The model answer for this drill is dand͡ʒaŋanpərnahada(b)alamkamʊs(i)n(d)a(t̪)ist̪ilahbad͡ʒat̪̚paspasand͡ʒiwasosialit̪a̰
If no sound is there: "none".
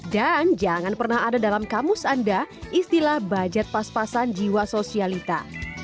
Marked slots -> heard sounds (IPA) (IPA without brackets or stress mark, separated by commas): d, a, d, none